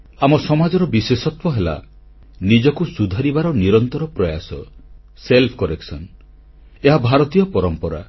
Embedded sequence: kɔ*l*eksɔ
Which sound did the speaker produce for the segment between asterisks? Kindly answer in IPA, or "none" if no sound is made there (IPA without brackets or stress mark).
ɾ